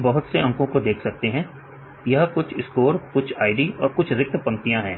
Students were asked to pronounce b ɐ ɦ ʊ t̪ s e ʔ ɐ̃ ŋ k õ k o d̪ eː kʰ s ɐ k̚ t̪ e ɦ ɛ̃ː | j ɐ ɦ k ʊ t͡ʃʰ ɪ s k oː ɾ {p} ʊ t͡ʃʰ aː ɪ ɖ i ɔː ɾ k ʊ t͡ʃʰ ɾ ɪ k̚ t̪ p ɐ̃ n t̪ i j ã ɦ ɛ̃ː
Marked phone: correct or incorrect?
incorrect